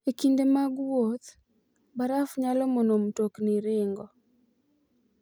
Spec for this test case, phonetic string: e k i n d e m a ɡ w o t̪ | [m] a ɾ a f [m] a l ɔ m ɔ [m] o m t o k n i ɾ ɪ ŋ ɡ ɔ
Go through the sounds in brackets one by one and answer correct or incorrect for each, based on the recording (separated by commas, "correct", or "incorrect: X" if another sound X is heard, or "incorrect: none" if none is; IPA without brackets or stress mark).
incorrect: b, incorrect: ɲ, incorrect: n